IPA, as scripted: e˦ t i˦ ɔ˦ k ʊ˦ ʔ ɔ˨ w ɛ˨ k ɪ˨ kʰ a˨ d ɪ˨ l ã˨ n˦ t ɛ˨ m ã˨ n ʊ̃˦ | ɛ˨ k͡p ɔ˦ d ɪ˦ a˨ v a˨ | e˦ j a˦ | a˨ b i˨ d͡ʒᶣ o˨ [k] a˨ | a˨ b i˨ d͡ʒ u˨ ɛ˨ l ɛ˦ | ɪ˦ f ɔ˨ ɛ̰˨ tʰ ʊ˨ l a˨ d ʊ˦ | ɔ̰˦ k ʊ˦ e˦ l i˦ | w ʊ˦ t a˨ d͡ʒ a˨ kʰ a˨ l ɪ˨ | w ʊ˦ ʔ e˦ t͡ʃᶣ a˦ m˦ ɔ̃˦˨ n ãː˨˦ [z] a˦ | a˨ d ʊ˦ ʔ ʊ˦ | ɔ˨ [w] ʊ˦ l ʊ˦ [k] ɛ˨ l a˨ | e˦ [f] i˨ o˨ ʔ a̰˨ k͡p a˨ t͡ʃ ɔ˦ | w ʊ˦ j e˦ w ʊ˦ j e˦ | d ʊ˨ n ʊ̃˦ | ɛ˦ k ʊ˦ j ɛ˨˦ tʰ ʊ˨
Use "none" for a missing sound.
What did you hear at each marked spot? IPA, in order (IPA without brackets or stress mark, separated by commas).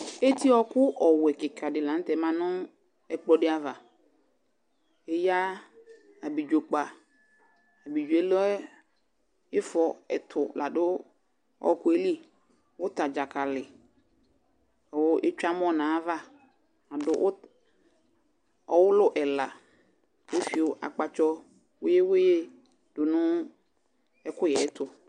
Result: k͡p, v, w, ʔ, f